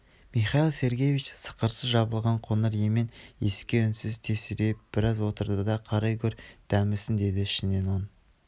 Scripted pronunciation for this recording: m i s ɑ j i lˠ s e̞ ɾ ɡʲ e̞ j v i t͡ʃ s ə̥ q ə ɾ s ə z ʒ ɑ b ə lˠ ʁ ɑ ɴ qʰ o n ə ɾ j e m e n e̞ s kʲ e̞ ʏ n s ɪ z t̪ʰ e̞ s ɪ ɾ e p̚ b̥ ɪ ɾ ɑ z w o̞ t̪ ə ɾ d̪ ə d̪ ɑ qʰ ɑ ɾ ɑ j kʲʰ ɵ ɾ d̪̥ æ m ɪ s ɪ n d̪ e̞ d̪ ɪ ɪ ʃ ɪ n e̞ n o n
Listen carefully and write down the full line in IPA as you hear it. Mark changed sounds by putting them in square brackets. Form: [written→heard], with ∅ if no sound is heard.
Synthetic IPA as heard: m i [s→χ] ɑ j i lˠ s e̞ ɾ ɡʲ e̞ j v i t͡ʃ s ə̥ q ə ɾ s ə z ʒ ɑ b ə lˠ ʁ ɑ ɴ qʰ o n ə ɾ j e m e n e̞ s kʲ e̞ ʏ n s ɪ z t̪ʰ e̞ s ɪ ɾ e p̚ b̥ ɪ ɾ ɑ z w o̞ t̪ ə ɾ d̪ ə d̪ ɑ qʰ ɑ ɾ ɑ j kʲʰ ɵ ɾ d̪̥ æ m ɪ s ɪ n d̪ e̞ d̪ ɪ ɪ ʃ ɪ n e̞ n o n

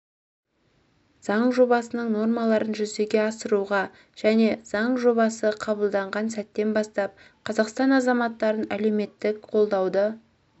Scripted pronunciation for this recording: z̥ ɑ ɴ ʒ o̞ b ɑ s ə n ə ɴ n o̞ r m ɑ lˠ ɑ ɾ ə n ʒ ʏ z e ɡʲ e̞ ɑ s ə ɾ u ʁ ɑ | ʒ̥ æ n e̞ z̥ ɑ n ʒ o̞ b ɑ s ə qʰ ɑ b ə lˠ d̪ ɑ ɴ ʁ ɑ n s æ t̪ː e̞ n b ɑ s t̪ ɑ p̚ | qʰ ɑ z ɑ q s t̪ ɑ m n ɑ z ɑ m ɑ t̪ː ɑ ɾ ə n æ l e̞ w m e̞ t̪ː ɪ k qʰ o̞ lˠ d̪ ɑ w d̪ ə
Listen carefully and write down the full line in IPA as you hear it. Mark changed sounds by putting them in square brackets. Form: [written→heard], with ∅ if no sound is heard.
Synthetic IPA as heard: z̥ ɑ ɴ ʒ o̞ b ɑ s ə n ə ɴ n o̞ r m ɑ lˠ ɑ ɾ ə n ʒ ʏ z e ɡʲ e̞ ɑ s ə ɾ u ʁ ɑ | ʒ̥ æ n e̞ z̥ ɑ [n→ɴ] ʒ o̞ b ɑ s ə qʰ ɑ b ə lˠ d̪ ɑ ɴ ʁ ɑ n s æ t̪ː e̞ n b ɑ s t̪ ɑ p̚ | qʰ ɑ z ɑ q s t̪ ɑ [m→∅] n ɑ z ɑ m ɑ t̪ː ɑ ɾ ə n æ l e̞ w m e̞ t̪ː ɪ k qʰ o̞ lˠ d̪ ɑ w d̪ ə

